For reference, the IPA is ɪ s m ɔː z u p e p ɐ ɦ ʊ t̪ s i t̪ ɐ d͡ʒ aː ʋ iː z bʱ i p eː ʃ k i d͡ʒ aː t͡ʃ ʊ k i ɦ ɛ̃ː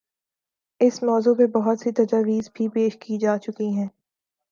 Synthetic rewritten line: ɪ s m ɔː z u p e b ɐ ɦ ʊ t̪ s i t̪ ɐ d͡ʒ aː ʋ iː z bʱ i p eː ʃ k i d͡ʒ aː t͡ʃ ʊ k i ɦ ɛ̃ː